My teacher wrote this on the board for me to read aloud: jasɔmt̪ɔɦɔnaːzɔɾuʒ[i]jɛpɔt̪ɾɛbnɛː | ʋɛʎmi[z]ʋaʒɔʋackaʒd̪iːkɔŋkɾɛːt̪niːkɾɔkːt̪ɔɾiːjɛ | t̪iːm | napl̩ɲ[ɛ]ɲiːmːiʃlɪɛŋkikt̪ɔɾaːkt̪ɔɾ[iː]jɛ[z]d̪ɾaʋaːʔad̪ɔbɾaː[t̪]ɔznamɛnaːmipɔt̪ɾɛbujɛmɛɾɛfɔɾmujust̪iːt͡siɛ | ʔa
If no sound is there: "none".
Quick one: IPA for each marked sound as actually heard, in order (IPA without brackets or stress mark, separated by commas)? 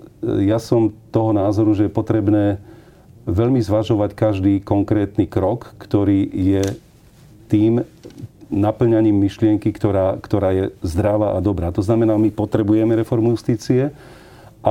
ɛ, z, a, aː, z, t̪